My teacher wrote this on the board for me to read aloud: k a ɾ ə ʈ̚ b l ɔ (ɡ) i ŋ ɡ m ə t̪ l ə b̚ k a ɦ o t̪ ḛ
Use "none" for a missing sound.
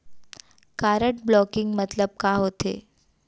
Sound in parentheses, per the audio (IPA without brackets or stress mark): k